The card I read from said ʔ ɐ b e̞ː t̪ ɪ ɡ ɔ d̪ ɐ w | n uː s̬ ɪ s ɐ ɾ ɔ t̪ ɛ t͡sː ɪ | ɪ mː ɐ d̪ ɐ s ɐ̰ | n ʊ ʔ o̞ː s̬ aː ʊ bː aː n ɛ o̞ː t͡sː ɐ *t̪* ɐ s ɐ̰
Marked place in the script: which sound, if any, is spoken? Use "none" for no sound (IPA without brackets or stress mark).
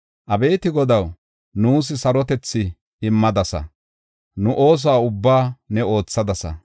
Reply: d̪